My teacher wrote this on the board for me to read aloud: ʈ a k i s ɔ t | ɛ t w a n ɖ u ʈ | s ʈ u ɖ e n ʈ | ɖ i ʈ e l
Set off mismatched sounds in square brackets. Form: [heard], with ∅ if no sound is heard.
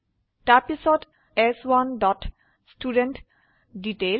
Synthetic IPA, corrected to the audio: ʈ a [p] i s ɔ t | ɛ [s] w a n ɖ [ɔ] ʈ | s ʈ u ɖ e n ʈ | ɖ i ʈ e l